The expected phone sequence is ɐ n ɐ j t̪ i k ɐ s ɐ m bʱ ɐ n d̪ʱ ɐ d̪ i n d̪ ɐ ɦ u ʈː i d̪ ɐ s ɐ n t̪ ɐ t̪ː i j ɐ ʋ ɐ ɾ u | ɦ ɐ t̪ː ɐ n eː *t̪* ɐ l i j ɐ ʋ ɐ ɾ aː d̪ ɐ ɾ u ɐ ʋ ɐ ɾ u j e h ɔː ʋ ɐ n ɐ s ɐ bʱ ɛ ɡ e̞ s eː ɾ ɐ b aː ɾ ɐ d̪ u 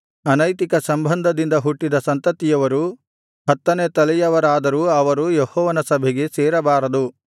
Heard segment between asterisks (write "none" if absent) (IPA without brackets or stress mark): t̪